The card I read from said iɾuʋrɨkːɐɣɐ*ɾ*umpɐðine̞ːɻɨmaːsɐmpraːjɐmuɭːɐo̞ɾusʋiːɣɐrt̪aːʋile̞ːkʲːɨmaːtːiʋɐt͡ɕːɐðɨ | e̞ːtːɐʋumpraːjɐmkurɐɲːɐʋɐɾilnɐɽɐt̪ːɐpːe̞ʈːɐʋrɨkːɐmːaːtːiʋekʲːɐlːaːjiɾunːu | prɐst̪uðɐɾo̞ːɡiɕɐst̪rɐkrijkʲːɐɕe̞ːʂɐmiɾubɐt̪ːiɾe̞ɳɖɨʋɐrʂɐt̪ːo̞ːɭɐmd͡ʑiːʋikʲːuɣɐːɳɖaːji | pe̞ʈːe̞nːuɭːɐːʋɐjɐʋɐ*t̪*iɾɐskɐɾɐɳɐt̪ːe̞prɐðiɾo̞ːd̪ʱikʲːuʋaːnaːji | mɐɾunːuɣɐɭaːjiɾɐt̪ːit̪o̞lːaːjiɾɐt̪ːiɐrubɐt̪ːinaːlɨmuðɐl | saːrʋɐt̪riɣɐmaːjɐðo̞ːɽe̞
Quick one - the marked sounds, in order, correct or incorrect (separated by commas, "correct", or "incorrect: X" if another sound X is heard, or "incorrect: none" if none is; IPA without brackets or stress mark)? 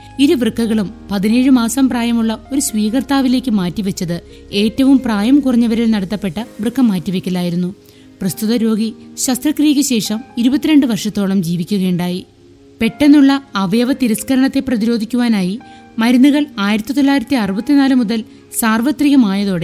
incorrect: ɭ, correct